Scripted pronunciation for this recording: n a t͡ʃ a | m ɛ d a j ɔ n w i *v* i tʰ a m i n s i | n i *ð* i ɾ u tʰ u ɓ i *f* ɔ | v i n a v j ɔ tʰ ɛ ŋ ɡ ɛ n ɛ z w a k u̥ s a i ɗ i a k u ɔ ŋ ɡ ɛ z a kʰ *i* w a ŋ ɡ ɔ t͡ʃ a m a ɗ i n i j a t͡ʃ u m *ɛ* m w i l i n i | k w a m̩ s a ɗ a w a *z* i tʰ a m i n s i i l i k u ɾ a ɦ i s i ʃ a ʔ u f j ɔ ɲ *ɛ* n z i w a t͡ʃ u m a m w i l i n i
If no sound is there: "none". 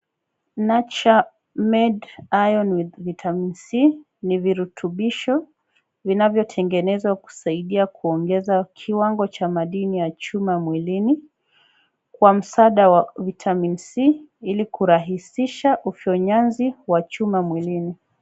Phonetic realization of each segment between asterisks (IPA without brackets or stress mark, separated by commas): v, v, ʃ, i, a, v, a